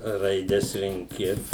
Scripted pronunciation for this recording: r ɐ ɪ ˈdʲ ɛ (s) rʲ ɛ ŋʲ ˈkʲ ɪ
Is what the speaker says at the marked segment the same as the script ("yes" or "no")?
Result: yes